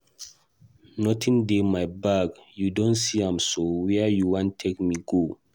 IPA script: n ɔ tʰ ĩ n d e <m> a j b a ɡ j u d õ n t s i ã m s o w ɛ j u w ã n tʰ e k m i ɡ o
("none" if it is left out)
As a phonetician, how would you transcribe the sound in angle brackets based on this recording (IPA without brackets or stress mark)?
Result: m